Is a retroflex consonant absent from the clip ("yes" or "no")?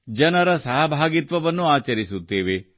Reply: yes